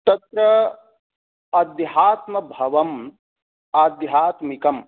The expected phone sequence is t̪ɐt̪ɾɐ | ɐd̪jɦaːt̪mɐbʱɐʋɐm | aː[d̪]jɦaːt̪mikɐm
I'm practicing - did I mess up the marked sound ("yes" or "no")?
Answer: no